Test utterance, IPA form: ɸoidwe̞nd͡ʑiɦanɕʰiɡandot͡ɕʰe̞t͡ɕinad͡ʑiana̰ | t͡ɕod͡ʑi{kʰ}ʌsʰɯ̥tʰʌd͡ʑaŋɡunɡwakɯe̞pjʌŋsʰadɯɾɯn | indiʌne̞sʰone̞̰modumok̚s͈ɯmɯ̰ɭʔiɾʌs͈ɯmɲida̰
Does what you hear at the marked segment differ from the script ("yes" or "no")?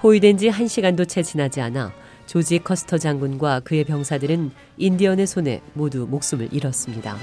no